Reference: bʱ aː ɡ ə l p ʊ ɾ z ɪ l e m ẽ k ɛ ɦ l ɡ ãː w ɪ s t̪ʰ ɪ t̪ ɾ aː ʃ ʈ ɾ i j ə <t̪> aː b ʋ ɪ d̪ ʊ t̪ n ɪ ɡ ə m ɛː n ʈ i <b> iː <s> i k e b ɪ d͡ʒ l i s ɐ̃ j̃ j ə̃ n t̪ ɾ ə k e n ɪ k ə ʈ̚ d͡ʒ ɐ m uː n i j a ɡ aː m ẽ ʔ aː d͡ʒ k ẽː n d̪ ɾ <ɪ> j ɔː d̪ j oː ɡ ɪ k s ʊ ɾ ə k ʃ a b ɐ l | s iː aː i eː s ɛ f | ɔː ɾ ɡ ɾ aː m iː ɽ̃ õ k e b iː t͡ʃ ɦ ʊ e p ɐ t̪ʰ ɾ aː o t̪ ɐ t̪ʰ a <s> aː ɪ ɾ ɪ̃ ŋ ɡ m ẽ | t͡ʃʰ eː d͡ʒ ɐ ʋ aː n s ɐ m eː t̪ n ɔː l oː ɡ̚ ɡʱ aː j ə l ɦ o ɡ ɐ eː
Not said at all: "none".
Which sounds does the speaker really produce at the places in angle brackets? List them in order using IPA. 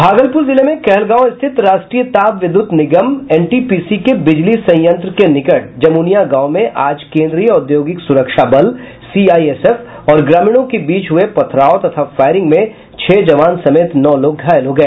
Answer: t̪, p, s, i, f

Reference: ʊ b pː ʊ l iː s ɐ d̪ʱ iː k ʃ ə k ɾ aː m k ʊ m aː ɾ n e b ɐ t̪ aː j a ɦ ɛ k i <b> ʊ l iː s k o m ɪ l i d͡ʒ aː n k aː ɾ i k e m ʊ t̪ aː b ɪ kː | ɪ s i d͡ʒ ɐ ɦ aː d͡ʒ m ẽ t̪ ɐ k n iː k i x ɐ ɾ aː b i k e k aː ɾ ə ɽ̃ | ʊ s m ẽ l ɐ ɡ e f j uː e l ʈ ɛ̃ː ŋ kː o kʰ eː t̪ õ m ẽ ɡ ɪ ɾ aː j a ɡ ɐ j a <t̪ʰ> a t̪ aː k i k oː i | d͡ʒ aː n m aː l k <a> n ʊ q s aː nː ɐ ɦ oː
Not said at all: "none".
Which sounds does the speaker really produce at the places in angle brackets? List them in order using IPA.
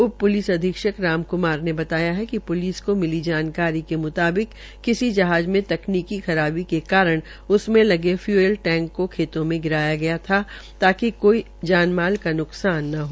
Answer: p, t̪ʰ, a

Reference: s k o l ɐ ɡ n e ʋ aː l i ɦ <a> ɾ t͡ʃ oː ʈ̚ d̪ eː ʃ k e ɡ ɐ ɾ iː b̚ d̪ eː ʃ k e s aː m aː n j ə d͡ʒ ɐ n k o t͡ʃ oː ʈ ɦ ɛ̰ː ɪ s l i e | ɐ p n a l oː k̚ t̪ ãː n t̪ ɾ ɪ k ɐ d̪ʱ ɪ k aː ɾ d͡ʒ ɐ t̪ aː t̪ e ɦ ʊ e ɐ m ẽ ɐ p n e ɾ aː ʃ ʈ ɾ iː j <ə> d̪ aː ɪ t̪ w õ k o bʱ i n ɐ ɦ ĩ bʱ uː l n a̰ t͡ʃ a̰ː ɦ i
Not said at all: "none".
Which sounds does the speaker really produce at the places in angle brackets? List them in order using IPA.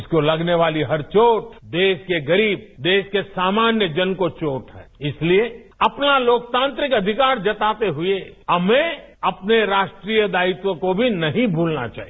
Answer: ɐ, ə

